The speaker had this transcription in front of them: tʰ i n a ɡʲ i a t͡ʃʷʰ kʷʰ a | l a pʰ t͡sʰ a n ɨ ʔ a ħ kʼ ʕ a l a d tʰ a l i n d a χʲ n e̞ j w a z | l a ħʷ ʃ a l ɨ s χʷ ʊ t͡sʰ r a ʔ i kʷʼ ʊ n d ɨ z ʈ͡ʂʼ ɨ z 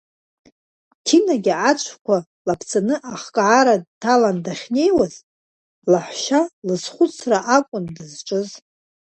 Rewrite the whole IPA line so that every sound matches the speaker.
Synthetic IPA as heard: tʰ i n a ɡʲ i a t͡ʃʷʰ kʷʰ a | l a pʰ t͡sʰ a n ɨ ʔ a χ kʼ ʕ a ɾ a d tʰ a l a n d a χʲ n e̞ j w a z | l a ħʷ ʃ a l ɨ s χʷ ʊ t͡sʰ r a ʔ a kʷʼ ʊ n d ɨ z ʈ͡ʂʼ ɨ z